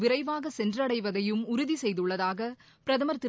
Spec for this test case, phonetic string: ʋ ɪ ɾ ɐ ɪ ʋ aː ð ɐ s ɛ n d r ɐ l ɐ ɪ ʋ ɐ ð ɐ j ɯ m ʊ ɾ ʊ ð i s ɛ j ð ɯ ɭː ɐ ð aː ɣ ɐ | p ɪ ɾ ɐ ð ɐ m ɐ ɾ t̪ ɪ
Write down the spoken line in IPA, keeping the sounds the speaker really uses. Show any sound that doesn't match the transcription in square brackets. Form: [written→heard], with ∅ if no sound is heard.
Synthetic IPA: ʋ ɪ ɾ ɐ ɪ ʋ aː [ð→ɣ] ɐ s ɛ n d r ɐ [l→ɽ] ɐ ɪ ʋ ɐ ð ɐ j ɯ m ʊ ɾ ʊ ð i s ɛ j ð ɯ ɭː ɐ ð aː ɣ ɐ | p ɪ ɾ ɐ ð ɐ m ɐ ɾ t̪ ɪ